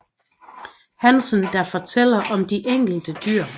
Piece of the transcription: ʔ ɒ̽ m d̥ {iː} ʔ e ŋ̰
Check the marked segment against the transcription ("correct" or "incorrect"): incorrect